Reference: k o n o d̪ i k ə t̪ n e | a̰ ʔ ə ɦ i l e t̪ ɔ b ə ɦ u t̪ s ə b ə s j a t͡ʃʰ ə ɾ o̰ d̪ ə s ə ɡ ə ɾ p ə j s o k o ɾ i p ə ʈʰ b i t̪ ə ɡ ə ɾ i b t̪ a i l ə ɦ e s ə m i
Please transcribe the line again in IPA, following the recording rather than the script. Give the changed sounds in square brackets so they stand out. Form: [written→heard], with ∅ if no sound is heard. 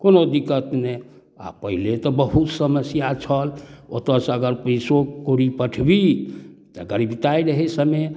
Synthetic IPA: k o n o d̪ i k ə t̪ n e | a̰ [ʔ→p] ə ɦ i l e t̪ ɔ b ə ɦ u t̪ s ə [b→m] ə s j a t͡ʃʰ ə [ɾ→l] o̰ [d̪→t̪] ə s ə ɡ ə ɾ p ə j s o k o ɾ i p ə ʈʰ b i t̪ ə ɡ ə ɾ i b t̪ a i [l→ɾ] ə ɦ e s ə m [i→e]